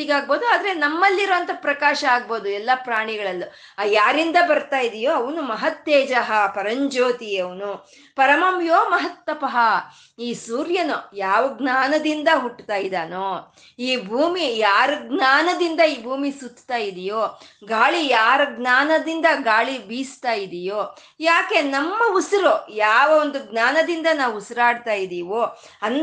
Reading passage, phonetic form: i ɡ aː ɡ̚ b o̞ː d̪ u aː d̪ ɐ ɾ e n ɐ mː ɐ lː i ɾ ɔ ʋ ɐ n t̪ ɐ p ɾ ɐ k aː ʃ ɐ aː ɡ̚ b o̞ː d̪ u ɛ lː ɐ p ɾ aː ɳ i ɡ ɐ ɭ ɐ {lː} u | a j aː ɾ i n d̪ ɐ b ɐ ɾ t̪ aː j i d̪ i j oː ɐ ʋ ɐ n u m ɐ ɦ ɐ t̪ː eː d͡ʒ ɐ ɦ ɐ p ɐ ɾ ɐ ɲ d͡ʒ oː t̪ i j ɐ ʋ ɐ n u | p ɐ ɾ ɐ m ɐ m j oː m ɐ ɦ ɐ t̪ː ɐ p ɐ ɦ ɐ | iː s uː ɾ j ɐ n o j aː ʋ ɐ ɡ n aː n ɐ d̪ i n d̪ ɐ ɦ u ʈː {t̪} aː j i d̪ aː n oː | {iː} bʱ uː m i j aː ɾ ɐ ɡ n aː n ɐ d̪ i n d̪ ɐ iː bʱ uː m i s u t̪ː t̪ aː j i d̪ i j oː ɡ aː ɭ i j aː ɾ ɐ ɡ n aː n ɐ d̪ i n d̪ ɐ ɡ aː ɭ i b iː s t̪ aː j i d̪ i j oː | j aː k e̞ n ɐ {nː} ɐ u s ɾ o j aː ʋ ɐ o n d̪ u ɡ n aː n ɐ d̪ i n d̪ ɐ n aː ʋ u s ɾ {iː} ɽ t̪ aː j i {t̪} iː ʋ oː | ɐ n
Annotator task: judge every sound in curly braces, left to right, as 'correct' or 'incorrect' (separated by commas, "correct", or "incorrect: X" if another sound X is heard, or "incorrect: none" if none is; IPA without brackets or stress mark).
correct, correct, correct, incorrect: mː, incorrect: aː, incorrect: d̪